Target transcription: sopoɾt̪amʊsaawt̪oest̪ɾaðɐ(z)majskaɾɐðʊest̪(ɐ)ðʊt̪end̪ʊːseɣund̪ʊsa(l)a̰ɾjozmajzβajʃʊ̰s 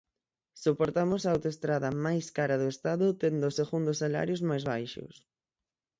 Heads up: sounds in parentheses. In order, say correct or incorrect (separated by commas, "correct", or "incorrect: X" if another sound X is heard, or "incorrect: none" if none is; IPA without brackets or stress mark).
incorrect: none, incorrect: a, correct